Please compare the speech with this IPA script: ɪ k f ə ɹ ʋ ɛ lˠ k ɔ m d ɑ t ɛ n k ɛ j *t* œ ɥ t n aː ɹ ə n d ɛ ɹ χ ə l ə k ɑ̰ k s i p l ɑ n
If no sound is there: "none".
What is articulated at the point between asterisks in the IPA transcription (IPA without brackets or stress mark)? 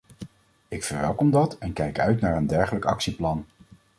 k